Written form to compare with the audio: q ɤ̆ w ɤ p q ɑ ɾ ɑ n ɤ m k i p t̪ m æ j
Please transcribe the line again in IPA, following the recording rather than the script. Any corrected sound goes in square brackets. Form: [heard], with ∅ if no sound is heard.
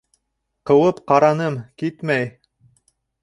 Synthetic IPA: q ɤ̆ w ɤ p q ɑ ɾ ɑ n ɤ m k i [∅] t̪ m æ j